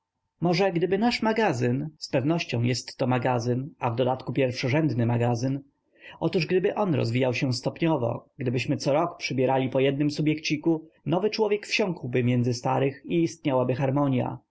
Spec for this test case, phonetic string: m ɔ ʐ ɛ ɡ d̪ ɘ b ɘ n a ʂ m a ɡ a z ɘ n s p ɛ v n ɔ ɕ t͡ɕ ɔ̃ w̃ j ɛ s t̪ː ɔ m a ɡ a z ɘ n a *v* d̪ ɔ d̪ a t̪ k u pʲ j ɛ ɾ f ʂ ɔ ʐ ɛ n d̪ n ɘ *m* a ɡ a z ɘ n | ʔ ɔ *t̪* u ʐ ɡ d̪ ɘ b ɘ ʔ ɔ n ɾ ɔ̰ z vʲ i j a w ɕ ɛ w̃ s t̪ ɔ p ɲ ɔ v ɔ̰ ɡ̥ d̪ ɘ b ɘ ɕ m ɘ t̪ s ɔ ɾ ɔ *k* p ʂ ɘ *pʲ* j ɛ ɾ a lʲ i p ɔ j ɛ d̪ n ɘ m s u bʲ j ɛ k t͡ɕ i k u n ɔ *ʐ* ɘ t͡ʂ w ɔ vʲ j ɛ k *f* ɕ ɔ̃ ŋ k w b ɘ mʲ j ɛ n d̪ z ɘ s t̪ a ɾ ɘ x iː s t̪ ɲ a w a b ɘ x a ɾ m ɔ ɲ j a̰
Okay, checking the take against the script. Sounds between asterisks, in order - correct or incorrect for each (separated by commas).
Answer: correct, correct, correct, correct, incorrect, incorrect, correct